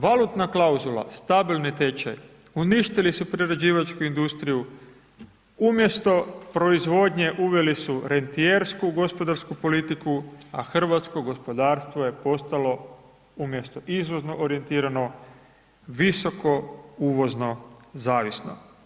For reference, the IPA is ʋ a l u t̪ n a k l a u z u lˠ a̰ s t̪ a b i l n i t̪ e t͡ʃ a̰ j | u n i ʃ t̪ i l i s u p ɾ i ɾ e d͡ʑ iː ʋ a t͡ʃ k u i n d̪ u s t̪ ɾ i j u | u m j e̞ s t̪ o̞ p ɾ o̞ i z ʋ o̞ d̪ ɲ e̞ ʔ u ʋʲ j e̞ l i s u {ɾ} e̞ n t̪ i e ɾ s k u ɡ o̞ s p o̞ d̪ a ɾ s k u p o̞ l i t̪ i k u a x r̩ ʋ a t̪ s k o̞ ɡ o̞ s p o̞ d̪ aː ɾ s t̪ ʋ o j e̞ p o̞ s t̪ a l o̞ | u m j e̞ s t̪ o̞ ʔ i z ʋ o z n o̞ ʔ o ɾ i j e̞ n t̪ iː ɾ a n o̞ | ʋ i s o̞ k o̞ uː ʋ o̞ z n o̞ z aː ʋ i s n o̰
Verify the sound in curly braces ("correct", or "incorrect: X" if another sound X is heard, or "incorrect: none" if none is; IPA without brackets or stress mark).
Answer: correct